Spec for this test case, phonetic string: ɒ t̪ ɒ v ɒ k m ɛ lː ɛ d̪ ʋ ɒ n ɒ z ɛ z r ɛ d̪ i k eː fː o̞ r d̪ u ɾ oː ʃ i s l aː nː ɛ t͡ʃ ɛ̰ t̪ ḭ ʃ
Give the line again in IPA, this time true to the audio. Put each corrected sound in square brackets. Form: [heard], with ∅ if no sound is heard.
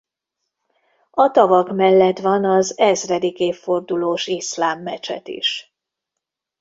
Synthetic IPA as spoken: ɒ t̪ ɒ v ɒ k m ɛ lː ɛ [t̪] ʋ ɒ n ɒ z ɛ z r ɛ d̪ i k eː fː o̞ r d̪ u [l] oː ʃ i s l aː [mː] ɛ t͡ʃ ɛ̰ t̪ ḭ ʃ